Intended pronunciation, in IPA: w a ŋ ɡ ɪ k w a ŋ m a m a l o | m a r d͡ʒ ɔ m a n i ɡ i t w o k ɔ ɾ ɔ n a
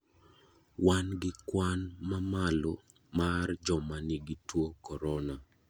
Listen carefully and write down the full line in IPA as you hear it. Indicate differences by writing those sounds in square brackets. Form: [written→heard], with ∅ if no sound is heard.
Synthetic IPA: w a [ŋ→n] ɡ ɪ k w a [ŋ→n] m a m a l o | m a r d͡ʒ ɔ m a n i ɡ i t w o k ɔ ɾ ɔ n a